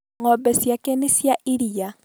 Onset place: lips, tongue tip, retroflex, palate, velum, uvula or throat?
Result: velum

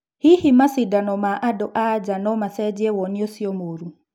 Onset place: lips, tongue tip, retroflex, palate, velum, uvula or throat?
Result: throat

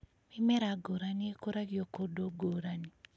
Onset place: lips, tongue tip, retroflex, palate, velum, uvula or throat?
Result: lips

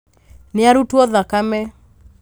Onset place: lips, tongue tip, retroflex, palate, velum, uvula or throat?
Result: tongue tip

